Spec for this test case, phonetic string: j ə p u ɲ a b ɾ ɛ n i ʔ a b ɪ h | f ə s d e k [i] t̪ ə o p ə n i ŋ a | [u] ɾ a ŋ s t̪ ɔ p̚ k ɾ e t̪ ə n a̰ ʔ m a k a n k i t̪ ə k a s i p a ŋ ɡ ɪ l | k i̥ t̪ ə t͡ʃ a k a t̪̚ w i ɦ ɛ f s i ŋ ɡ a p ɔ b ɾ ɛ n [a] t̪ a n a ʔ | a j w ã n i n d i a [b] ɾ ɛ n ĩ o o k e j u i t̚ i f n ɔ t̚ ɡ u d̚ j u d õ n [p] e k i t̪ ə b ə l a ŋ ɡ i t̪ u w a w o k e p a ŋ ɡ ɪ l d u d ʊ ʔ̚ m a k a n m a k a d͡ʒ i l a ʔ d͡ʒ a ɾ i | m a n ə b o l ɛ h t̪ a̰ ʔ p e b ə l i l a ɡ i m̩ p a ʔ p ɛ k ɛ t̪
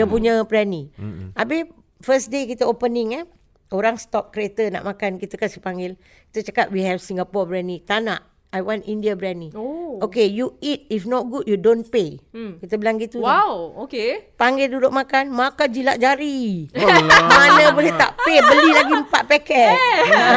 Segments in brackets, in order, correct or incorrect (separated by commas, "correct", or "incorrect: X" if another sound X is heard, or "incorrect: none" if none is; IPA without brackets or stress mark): correct, incorrect: o, incorrect: i, correct, correct